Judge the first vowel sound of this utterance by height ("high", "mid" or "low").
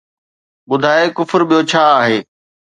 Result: high